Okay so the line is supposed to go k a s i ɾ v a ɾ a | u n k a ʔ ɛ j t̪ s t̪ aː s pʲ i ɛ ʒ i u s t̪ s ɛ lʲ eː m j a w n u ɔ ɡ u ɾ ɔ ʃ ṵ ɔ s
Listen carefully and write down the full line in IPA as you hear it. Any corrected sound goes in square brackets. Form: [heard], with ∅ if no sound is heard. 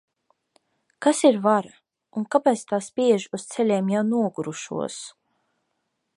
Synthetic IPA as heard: k a s i ɾ v a ɾ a | u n k a [p] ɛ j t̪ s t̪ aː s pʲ i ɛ ʒ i u s t̪ s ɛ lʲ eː m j a w n u ɔ ɡ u ɾ [u] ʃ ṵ ɔ s